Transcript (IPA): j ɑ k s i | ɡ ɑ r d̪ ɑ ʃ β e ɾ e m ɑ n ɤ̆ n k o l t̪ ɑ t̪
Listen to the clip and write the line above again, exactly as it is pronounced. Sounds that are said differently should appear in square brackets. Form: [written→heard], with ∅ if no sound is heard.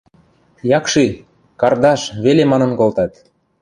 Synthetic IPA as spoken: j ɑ k [s→ʃ] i | [ɡ→k] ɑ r d̪ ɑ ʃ β e [ɾ→l] e m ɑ n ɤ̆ n k o l t̪ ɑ t̪